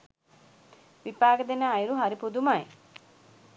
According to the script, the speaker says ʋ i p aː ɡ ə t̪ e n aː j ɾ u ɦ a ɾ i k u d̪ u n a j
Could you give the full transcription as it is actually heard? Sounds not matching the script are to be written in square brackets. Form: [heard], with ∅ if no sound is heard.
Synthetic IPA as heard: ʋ i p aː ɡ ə [d̪] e n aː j ɾ u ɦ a ɾ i [p] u d̪ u [m] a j